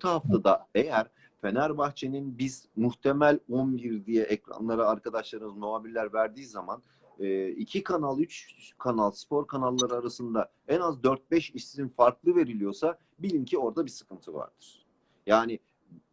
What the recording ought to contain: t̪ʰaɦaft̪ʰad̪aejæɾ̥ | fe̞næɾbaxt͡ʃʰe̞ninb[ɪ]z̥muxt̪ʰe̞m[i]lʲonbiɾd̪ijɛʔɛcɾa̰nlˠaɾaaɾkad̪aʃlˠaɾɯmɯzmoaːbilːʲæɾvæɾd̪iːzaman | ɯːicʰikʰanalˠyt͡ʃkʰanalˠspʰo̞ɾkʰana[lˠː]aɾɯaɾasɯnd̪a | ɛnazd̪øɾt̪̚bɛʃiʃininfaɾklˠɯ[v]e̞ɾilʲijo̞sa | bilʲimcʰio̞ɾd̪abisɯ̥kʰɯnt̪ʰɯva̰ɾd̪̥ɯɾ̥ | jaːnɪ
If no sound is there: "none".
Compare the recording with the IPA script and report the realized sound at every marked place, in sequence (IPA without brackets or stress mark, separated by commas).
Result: i, æ, lˠː, v